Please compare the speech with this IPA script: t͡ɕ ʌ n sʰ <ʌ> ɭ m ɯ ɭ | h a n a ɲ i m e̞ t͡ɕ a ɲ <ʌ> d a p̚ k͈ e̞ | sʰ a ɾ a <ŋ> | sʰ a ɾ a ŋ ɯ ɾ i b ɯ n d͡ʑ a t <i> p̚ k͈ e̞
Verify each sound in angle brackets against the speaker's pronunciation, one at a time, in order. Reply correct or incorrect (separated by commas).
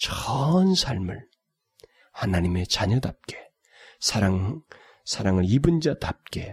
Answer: incorrect, correct, correct, incorrect